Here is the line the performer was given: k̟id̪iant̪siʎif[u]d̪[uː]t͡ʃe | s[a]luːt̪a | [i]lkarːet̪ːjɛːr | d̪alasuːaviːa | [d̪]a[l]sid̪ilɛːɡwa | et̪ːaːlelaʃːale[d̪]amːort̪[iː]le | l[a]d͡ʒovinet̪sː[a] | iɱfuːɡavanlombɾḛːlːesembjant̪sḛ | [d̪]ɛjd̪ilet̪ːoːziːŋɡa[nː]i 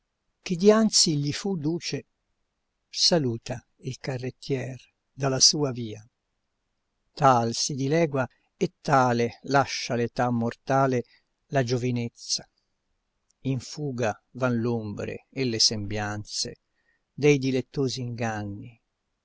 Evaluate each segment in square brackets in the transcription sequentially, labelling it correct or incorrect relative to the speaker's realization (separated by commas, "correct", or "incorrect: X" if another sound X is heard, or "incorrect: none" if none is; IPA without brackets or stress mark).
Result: correct, correct, correct, correct, incorrect: t̪, correct, incorrect: t̪, incorrect: aː, correct, correct, correct, correct